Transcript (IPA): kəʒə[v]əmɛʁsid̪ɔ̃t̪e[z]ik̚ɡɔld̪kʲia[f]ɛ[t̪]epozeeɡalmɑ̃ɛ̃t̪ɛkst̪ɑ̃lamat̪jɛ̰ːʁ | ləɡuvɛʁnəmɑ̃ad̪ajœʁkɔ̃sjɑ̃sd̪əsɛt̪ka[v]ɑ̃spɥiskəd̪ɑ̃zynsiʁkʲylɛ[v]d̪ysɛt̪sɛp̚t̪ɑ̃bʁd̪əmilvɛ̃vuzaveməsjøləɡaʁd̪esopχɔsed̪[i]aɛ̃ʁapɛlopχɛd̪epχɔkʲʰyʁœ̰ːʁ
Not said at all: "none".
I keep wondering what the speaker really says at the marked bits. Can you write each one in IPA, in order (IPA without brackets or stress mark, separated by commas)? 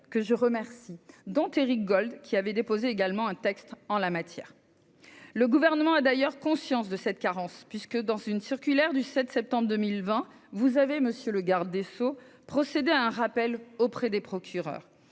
ʁ, ʁ, v, d̪, ʁ, ʁ, e